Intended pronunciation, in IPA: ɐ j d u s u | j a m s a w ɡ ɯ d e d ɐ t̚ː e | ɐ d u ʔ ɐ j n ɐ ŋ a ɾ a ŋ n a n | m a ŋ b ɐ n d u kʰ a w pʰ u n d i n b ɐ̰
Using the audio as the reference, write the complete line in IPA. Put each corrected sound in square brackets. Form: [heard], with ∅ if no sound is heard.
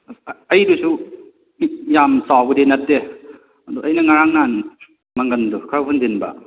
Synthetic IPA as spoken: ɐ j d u s u | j a m s a w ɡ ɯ d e [n] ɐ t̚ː e | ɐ d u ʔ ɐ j n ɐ ŋ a ɾ a ŋ n a n | m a ŋ [ɡ] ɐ n d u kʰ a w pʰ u n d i n b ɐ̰